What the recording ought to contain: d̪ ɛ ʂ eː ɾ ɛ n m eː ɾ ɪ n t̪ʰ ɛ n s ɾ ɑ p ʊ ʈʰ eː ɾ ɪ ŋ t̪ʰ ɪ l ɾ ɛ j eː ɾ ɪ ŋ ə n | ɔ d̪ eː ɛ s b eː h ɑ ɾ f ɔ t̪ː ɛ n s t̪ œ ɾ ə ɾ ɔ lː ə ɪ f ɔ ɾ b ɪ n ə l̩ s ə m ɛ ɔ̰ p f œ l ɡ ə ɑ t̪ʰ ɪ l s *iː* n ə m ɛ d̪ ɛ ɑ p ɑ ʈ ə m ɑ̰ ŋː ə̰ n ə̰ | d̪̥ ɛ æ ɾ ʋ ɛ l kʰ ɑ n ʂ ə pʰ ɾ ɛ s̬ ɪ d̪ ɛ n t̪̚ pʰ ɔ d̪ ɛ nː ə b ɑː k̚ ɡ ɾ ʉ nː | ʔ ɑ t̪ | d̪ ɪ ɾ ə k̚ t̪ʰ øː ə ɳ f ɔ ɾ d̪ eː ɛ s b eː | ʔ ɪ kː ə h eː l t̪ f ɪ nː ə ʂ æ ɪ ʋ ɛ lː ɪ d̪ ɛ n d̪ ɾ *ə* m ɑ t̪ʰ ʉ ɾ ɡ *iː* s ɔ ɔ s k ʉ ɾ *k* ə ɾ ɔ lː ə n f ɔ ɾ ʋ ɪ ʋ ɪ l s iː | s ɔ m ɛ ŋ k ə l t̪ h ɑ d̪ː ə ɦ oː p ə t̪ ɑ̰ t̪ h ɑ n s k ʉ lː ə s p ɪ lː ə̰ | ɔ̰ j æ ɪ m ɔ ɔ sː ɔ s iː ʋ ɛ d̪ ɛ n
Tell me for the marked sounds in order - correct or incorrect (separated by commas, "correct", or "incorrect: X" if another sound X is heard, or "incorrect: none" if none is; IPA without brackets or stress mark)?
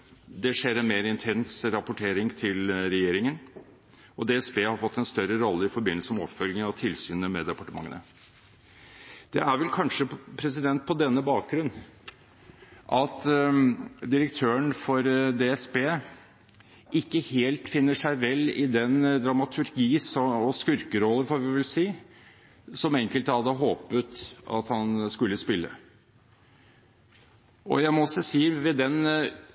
incorrect: yː, incorrect: ɑ, correct, correct